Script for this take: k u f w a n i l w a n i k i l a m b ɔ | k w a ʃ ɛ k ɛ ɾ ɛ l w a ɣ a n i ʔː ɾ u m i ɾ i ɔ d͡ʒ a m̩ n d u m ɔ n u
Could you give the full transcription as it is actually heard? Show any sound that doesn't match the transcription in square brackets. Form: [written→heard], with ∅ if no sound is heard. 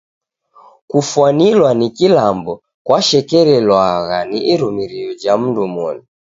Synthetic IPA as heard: k u f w a n i l w a n i k i l a m b ɔ | k w a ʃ ɛ k ɛ ɾ ɛ l w a ɣ a n i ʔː ɾ u m i ɾ i ɔ d͡ʒ a m̩ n d u m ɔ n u

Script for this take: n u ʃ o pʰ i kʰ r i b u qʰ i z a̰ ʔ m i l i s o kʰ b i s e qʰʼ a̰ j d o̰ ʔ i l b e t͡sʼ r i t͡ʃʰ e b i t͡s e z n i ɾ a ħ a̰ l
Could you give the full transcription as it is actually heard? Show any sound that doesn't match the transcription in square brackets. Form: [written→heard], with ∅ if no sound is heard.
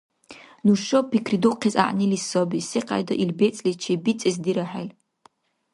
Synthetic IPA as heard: n u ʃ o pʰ i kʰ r i [b→d] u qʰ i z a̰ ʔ [m→n] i l i s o [kʰ→∅] b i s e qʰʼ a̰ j d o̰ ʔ i l b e t͡sʼ [r→l] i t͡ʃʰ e b i [t͡s→t͡sʼ] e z [n→d] i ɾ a ħ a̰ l

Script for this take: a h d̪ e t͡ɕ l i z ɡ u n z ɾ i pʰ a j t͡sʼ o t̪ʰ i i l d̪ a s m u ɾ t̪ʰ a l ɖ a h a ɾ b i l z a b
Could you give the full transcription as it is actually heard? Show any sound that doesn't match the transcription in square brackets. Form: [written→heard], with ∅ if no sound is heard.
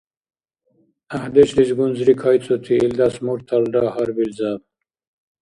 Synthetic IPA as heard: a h d̪ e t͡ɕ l i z ɡ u n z ɾ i [pʰ→kʰ] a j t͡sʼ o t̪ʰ i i l d̪ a s m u ɾ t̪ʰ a l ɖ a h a ɾ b i l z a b

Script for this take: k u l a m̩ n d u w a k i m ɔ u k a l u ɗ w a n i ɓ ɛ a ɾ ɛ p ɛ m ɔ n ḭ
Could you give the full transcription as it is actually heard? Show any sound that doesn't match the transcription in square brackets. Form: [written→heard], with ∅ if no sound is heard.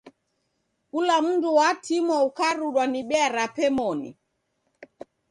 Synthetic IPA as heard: k u l a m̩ n d u w a [k→t] i m ɔ u k a [l→ɾ] u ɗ w a n i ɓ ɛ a ɾ [ɛ→a] p ɛ m ɔ n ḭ

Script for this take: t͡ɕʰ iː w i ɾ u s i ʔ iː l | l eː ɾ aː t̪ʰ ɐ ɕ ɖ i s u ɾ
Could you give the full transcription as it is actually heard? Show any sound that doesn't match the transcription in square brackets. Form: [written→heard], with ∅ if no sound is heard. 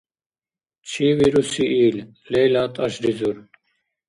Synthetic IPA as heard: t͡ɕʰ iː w i ɾ u s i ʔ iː l | l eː [ɾ→l] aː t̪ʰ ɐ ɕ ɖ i [s→z] u ɾ

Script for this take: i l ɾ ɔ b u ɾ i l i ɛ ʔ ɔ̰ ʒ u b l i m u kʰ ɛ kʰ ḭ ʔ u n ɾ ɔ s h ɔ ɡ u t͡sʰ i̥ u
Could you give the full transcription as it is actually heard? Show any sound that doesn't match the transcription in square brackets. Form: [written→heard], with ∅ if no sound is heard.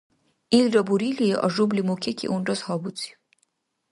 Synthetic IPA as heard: i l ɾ ɔ b u ɾ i l i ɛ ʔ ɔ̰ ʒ u b l i m u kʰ ɛ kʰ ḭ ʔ u n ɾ ɔ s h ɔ [ɡ→b] u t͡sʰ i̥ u

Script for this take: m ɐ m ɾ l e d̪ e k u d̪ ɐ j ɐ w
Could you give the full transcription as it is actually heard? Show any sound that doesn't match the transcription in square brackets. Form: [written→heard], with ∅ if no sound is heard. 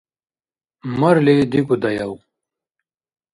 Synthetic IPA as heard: m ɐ [m→∅] ɾ l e d̪ [e→i] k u d̪ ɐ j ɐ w

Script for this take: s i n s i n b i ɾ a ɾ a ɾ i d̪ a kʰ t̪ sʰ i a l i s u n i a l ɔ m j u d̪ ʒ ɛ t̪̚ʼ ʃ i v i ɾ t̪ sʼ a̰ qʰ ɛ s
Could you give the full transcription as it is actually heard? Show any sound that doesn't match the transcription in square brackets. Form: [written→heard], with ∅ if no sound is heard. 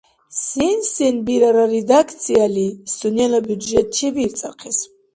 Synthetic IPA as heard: s i n s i n b i ɾ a ɾ a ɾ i d̪ a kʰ t̪ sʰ i a l i s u n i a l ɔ [m→b] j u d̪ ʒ ɛ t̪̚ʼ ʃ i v i ɾ t̪ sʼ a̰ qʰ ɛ s

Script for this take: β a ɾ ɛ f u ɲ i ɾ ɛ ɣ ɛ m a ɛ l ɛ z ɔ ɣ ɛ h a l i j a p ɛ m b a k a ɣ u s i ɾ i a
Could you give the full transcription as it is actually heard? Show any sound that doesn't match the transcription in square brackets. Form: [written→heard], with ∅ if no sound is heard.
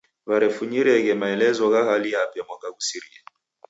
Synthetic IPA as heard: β a ɾ ɛ f u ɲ i ɾ ɛ ɣ ɛ m a ɛ l ɛ z ɔ ɣ [ɛ→a] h a l i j a p ɛ m [b→w] a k a ɣ u s i ɾ i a

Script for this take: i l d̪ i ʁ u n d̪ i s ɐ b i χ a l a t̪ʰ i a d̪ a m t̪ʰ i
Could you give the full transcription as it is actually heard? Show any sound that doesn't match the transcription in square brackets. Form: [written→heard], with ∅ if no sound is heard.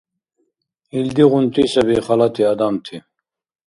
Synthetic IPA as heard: i l d̪ i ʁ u n [d̪→t̪] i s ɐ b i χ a l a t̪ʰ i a d̪ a m t̪ʰ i

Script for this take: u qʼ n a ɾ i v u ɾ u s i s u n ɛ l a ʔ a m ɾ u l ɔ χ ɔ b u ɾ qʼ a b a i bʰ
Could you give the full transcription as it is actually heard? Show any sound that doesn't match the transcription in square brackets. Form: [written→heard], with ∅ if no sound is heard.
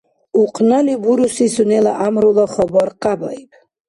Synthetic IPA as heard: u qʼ n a [ɾ→l] i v u ɾ u s i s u n ɛ l a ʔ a m ɾ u l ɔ χ ɔ b [u→ɔ] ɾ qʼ a b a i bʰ

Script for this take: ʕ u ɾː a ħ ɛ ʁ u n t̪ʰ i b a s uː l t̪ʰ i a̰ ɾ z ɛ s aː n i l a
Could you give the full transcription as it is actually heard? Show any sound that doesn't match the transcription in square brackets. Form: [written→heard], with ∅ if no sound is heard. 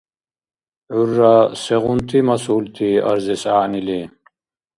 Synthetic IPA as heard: ʕ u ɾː a [ħ→s] ɛ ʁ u n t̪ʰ i [b→m] a s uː l t̪ʰ i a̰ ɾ z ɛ s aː n i l [a→i]

